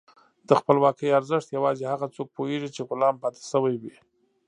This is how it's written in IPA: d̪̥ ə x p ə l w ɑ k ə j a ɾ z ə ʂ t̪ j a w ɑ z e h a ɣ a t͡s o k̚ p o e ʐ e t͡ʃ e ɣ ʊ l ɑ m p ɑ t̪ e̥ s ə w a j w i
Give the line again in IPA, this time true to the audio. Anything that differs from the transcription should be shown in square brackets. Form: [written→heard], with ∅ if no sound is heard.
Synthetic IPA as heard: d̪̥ ə x p ə l w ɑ k ə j a ɾ z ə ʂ t̪ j a w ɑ z e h a ɣ a t͡s o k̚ p o e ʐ [e→i] t͡ʃ e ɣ ʊ l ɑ m p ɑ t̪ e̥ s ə w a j w i